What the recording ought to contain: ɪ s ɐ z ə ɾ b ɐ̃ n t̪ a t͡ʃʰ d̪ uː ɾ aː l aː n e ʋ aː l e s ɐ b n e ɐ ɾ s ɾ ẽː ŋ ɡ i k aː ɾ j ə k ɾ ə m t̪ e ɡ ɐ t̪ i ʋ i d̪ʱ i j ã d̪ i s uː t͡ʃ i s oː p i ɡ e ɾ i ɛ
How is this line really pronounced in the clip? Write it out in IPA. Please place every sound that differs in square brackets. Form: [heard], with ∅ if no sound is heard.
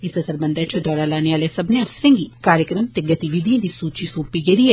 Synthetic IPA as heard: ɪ s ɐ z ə ɾ b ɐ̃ n [d̪] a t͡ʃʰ d̪ [ɔː] ɾ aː l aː n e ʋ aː l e s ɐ b n e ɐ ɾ s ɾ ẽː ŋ ɡ i k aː ɾ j ə k ɾ ə m t̪ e ɡ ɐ t̪ i ʋ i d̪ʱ i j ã d̪ i s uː t͡ʃ i s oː p i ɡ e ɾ i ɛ